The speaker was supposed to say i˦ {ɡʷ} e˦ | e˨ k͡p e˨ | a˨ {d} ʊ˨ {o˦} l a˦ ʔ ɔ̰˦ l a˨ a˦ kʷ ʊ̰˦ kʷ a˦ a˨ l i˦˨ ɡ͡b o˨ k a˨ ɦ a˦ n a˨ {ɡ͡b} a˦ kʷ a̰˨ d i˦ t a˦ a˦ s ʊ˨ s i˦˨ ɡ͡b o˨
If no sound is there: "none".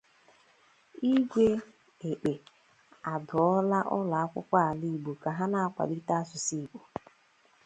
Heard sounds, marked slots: ɡʷ, d, ɔ˦, none

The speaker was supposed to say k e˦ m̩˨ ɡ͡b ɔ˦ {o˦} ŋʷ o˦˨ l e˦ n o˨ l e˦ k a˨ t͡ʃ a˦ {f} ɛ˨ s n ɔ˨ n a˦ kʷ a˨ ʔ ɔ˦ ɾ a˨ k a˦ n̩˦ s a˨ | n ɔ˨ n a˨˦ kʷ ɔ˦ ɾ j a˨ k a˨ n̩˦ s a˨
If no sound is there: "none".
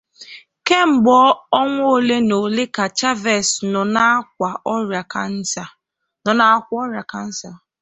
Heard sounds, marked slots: ɔ˦, v

